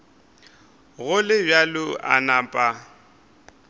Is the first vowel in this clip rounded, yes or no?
yes